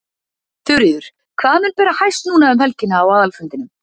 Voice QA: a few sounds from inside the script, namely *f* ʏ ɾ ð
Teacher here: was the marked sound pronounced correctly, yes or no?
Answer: no